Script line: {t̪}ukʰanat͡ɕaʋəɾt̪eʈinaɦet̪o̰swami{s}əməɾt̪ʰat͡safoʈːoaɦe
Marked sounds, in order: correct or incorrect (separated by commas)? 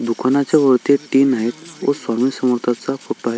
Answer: incorrect, correct